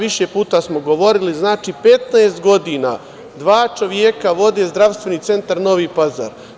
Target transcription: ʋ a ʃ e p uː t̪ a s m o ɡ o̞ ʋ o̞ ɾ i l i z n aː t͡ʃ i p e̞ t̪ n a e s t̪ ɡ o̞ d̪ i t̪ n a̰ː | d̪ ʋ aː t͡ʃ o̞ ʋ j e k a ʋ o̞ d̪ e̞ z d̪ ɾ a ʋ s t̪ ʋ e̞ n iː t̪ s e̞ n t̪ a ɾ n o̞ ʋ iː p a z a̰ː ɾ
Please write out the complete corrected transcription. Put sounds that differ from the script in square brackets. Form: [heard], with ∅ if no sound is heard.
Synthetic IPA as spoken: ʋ [i] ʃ e p uː t̪ a s m o ɡ o̞ ʋ o̞ ɾ i l i z n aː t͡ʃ i p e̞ t̪ n a e s t̪ ɡ o̞ d̪ i [∅] n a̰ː | d̪ ʋ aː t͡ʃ o̞ ʋ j e k a ʋ o̞ d̪ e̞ z d̪ ɾ a ʋ s t̪ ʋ e̞ n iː t̪ s e̞ n t̪ a ɾ n o̞ ʋ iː p a z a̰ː ɾ